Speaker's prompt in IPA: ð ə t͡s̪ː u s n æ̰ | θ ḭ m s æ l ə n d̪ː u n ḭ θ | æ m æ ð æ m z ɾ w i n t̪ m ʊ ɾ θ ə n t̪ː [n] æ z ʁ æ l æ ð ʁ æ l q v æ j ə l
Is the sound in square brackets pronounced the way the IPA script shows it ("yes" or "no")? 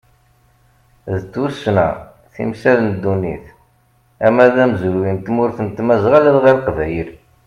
no